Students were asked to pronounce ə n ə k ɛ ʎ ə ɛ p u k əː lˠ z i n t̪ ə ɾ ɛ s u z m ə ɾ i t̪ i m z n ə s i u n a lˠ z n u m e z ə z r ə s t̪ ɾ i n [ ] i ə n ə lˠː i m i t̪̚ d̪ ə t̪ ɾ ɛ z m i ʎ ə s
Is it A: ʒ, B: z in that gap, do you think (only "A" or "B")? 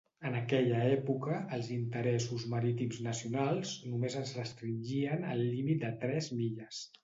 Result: A